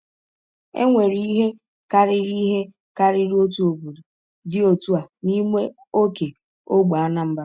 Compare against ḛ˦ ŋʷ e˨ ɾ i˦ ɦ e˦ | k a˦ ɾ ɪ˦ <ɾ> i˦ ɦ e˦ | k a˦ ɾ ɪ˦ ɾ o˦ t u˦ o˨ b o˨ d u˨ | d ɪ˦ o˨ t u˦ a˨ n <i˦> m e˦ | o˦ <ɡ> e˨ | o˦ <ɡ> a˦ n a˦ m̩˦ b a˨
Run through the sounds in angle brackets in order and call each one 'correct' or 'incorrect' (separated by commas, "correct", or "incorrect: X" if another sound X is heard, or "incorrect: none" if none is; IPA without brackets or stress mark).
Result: correct, correct, incorrect: k, incorrect: ɡ͡b